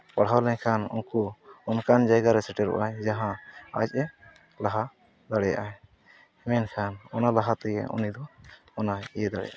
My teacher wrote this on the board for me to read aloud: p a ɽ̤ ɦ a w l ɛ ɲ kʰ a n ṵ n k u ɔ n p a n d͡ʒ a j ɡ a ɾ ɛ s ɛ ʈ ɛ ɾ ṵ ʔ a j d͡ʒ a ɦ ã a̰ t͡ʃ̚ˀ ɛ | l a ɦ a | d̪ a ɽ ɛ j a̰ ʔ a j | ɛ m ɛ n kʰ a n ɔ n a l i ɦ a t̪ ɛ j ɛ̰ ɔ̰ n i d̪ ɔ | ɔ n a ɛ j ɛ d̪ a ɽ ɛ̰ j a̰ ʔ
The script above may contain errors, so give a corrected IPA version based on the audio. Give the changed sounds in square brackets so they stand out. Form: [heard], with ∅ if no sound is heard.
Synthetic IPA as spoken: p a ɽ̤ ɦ a w l ɛ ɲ kʰ a n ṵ n k u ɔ n [k] a n d͡ʒ a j ɡ a ɾ ɛ s ɛ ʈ ɛ ɾ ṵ ʔ a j d͡ʒ a ɦ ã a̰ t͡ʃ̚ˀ ɛ | l a ɦ a | d̪ a ɽ ɛ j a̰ ʔ a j | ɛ m ɛ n kʰ a n ɔ n a l [a] ɦ a t̪ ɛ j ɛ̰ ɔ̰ n i d̪ ɔ | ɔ n a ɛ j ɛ d̪ a ɽ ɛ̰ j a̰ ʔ